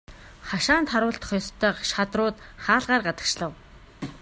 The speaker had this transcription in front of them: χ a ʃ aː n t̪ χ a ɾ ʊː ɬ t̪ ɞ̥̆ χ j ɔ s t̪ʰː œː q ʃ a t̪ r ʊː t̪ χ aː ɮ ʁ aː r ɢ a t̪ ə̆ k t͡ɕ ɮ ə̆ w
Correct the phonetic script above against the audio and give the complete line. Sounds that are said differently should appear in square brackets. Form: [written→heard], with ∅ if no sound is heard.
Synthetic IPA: χ a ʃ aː n t̪ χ a ɾ ʊː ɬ t̪ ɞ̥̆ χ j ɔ s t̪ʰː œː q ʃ a t̪ r ʊː t̪ χ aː ɮ ʁ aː r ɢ a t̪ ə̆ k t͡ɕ ɮ ə̆ w

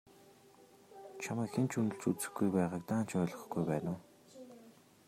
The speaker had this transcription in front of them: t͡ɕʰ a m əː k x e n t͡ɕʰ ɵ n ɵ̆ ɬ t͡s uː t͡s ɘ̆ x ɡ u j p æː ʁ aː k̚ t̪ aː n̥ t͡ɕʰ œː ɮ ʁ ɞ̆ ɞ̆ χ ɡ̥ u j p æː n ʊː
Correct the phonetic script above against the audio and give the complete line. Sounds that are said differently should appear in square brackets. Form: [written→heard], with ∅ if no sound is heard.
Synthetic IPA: t͡ɕʰ a m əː k x e n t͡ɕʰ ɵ n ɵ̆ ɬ t͡s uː t͡s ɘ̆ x ɡ u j p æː ʁ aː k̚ t̪ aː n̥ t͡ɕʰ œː ɮ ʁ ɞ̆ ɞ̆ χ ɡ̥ u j p æː n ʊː

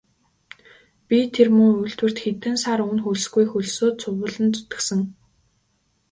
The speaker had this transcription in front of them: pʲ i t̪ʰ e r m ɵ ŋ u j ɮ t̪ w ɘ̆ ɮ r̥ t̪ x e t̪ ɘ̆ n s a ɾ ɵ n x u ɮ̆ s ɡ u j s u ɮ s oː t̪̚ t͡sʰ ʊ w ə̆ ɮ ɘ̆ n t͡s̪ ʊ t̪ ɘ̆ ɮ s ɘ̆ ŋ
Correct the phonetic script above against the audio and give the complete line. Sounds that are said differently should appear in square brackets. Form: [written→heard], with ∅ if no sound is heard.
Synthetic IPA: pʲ i t̪ʰ e r m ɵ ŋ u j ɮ t̪ w ɘ̆ [ɮ→∅] r̥ t̪ x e t̪ ɘ̆ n s a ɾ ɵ n x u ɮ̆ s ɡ u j [s→x] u ɮ s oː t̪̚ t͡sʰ ʊ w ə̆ ɮ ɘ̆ n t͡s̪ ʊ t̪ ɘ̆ [ɮ→∅] s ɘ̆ ŋ

